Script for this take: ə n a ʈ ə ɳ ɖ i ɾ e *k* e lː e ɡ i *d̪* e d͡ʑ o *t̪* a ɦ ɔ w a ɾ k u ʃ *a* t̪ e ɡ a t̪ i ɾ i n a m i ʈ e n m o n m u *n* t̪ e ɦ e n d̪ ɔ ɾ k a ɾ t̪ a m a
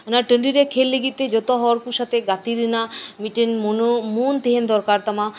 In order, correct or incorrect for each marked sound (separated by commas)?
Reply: incorrect, incorrect, correct, correct, correct